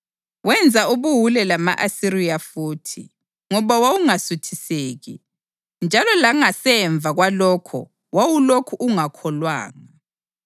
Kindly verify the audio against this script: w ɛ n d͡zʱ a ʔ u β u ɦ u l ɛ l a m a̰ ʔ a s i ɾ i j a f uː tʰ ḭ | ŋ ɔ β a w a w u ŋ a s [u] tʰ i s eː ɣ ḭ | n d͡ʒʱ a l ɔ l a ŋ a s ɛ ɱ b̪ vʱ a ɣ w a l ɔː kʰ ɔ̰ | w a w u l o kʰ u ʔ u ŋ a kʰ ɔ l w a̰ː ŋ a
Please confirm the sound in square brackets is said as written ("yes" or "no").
yes